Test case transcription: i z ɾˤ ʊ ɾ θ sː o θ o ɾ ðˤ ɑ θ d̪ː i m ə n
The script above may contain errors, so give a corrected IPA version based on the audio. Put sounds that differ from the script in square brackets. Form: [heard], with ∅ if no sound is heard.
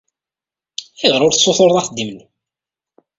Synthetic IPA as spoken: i [ʁ] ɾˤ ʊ ɾ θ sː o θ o ɾ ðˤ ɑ θ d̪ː i m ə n